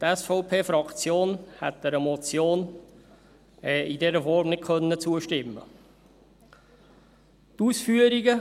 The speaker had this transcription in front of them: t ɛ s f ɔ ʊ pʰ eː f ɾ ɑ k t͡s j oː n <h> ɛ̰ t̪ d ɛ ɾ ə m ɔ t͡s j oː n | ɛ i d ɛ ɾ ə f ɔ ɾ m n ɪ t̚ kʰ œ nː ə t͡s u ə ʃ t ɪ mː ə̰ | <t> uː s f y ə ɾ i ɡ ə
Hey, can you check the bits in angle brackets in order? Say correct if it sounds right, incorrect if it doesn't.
correct, correct

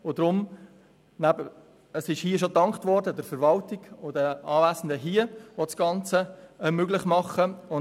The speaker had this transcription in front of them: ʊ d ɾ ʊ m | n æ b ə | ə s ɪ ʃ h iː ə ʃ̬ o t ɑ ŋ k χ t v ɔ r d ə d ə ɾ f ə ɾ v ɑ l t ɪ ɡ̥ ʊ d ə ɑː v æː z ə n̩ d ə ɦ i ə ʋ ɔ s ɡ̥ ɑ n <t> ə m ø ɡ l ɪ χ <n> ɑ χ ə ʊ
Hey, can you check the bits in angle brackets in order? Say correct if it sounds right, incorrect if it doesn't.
incorrect: t͡s, incorrect: m

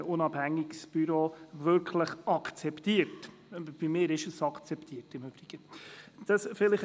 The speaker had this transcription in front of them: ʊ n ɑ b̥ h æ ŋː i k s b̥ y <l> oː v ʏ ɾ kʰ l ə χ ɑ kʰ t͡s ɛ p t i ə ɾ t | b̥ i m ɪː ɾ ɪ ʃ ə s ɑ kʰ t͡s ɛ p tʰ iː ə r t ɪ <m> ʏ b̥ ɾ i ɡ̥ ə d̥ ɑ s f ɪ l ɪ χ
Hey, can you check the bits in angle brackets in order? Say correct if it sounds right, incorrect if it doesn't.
incorrect: ɾ, correct

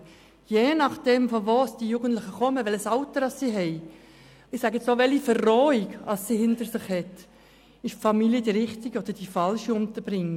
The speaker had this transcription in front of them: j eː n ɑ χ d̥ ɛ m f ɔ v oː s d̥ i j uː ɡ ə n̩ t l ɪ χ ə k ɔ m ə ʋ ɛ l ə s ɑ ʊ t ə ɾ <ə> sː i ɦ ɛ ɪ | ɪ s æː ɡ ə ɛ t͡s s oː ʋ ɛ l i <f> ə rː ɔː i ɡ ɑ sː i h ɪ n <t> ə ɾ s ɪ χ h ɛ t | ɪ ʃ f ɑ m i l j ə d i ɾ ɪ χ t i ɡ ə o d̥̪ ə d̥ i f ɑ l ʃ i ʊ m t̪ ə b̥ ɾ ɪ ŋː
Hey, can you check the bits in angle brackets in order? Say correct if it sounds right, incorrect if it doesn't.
incorrect: ɑ, correct, correct

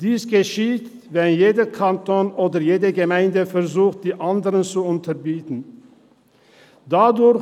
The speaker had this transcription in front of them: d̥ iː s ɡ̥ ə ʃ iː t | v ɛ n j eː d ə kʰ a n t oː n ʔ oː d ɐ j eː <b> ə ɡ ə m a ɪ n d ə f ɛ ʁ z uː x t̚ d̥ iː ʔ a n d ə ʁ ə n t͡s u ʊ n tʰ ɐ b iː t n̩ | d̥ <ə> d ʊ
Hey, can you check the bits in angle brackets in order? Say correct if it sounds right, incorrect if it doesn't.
incorrect: d, incorrect: a

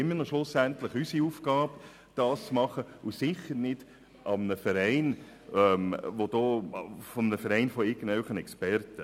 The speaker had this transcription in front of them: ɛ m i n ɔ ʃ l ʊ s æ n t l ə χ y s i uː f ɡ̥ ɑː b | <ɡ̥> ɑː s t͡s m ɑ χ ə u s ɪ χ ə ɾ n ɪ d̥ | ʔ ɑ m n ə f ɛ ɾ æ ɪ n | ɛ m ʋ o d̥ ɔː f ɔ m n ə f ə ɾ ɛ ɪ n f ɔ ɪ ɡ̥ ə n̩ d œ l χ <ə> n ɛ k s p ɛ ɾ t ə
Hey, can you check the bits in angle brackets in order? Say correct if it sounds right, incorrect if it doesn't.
incorrect: d̥, correct

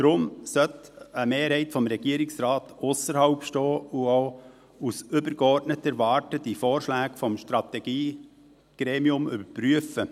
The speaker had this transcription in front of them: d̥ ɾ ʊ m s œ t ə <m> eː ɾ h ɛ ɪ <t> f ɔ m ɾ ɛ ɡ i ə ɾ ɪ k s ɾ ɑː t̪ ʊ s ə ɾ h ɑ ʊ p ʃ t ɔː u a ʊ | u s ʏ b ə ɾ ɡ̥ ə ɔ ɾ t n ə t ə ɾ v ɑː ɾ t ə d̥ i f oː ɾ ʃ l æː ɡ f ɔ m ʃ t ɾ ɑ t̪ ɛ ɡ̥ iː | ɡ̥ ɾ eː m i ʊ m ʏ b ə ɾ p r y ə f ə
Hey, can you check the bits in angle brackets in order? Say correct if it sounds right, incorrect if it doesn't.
correct, correct

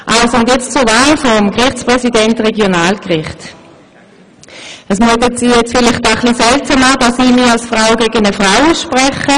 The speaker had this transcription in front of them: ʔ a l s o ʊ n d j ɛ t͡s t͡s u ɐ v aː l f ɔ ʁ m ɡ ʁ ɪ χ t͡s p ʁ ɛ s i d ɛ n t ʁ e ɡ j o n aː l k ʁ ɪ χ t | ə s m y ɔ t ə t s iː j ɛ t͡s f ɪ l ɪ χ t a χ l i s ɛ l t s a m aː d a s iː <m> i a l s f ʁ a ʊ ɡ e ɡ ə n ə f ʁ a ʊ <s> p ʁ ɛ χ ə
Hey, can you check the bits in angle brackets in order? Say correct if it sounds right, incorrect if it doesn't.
correct, incorrect: ʃ

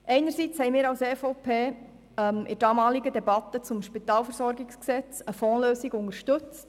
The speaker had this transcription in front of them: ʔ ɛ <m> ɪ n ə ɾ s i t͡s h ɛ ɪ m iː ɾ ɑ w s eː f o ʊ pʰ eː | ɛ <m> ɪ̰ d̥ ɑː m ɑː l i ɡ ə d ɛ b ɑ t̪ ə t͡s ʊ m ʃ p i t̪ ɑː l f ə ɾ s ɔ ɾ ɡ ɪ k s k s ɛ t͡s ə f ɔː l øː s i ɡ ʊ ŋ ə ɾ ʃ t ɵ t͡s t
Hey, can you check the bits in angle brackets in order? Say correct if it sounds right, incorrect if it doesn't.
incorrect: none, correct

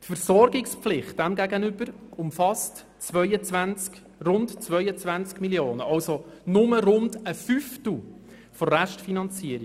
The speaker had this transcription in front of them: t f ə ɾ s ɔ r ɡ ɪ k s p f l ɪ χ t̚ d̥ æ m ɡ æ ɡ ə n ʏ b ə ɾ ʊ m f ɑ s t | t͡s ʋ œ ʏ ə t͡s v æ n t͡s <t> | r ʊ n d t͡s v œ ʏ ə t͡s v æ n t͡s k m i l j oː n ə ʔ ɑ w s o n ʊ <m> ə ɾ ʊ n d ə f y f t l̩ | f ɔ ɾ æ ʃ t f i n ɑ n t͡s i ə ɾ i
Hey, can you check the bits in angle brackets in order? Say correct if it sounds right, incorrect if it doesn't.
incorrect: k, correct

